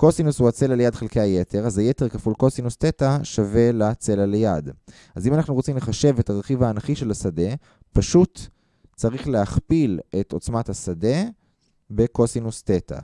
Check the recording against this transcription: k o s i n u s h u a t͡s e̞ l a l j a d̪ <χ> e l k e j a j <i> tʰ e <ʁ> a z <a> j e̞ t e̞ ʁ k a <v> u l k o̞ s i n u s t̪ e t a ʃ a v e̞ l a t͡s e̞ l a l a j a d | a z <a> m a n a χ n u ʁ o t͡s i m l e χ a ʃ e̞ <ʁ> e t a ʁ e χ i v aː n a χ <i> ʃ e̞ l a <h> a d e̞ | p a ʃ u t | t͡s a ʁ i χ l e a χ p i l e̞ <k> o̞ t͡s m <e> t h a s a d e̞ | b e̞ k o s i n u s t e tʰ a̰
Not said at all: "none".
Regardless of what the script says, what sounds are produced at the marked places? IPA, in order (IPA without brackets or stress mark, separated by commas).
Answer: χ, e, ʁ, a, f, i, v, i, s, t, a